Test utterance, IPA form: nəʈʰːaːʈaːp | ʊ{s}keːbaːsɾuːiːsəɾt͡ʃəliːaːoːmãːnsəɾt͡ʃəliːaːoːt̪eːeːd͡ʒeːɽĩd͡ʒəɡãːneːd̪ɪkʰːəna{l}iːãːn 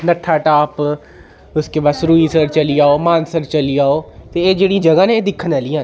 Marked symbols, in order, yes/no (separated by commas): yes, yes